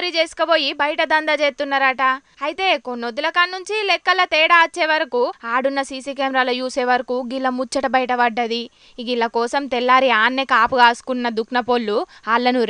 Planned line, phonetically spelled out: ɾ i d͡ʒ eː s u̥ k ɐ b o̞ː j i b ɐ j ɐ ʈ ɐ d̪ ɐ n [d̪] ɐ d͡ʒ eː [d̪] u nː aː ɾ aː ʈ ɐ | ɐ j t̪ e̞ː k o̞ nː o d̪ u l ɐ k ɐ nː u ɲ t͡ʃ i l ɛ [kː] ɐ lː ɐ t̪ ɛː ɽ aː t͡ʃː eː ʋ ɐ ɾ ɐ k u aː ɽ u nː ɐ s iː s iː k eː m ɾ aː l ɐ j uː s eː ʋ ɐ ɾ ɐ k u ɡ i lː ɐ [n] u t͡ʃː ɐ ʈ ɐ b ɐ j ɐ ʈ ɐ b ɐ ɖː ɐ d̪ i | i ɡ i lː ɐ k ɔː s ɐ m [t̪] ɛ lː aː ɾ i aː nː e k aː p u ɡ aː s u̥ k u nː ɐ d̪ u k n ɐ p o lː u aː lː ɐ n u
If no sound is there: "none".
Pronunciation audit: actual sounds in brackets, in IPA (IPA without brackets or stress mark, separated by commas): d̪, t̪, kː, m, t̪